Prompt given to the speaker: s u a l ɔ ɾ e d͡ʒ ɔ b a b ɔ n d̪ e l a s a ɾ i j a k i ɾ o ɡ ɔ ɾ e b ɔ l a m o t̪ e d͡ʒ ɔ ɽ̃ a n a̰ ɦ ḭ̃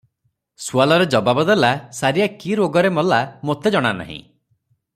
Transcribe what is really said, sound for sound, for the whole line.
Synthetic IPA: s u a l ɔ ɾ e d͡ʒ ɔ b a b ɔ d̪ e l a s a ɾ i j a k i ɾ o ɡ ɔ ɾ e m ɔ l a m o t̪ e d͡ʒ ɔ ɽ̃ a n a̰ ɦ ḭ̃